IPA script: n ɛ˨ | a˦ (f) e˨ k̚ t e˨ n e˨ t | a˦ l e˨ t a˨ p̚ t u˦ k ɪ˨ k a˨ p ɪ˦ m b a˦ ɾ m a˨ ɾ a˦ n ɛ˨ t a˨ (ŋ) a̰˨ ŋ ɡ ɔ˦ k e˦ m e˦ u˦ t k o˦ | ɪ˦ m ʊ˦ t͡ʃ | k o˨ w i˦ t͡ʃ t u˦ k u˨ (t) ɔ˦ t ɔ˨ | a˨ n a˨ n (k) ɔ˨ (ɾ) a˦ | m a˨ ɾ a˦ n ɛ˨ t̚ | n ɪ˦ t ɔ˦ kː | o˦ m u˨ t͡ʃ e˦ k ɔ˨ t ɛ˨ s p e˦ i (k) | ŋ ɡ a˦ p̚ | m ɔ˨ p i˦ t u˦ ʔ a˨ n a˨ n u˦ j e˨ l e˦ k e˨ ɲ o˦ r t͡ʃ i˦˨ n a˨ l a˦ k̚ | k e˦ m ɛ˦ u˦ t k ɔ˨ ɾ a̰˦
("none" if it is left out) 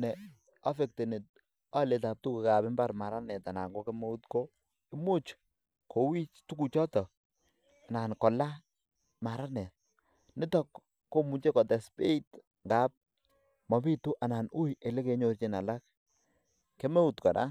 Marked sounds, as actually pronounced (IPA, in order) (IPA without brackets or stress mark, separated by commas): f, n, t͡ʃ, k, l, t